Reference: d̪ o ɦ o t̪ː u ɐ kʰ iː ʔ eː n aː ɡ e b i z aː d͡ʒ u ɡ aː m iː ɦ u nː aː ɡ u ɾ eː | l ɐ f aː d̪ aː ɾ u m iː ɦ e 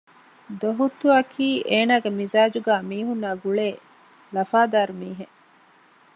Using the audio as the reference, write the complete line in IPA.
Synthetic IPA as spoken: d̪ o ɦ u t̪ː u ɐ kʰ iː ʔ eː n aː ɡ e m i z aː d͡ʒ u ɡ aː m iː ɦ u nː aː ɡ u ɭ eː | l ɐ f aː d̪ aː ɾ u m iː ɦ e